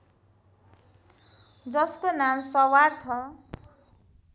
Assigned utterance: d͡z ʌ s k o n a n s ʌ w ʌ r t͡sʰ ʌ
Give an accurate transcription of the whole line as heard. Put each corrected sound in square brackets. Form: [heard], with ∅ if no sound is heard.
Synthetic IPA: d͡z ʌ s k o n a [m] s ʌ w [a] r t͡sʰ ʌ